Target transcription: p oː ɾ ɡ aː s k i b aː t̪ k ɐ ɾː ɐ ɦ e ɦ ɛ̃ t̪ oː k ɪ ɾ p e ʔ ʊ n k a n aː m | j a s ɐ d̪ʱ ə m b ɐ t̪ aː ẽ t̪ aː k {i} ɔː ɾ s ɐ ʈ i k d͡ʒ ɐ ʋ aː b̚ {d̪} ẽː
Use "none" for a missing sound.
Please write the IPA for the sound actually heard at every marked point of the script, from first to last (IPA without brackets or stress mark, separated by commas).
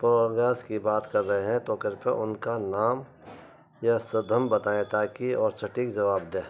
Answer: i, d̪